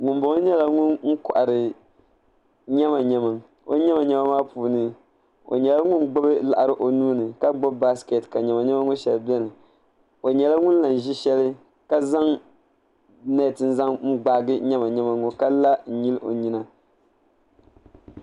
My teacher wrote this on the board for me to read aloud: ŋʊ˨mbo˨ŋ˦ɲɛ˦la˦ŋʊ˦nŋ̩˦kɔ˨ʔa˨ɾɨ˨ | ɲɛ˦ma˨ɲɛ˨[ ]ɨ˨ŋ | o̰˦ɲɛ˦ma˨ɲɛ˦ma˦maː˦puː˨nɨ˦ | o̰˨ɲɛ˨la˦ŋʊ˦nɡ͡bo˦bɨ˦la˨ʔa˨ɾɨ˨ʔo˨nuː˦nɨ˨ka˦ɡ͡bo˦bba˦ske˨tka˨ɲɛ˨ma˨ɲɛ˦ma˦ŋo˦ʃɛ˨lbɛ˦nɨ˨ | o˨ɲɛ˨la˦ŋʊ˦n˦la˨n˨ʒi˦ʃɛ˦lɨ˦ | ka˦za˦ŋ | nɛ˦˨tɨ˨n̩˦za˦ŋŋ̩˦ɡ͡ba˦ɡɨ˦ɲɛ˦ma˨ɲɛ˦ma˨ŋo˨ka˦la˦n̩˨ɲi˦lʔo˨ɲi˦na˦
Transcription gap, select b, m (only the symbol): m